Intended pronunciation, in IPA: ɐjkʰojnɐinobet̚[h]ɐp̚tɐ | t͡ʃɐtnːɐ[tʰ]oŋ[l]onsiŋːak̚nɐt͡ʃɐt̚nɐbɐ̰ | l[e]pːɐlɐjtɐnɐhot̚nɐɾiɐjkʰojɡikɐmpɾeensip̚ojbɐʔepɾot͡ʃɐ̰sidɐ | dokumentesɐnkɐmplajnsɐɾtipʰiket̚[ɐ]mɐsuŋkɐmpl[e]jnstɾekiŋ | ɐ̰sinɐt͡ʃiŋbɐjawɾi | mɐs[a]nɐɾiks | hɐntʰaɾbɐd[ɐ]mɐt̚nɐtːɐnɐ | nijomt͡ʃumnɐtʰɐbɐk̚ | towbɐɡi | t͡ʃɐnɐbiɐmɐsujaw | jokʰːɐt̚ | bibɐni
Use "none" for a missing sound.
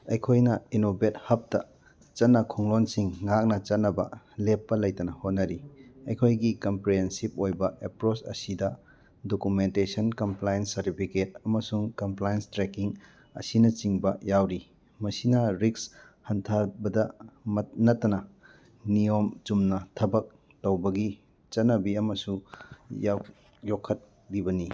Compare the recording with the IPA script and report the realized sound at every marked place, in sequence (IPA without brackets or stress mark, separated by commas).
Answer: h, kʰ, l, e, ɐ, a, i, ɐ